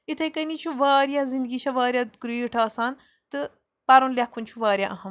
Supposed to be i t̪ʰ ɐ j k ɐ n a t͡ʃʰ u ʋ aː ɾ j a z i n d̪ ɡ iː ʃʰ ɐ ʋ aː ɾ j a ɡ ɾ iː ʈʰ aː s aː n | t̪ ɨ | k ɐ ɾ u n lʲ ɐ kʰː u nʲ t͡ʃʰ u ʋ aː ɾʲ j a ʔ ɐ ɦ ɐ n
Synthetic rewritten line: i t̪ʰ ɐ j k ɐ n i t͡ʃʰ u ʋ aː ɾ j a z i n d̪ ɡ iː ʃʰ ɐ ʋ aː ɾ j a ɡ ɾ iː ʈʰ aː s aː n | t̪ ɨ | p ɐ ɾ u n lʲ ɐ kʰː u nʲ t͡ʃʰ u ʋ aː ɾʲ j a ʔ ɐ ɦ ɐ m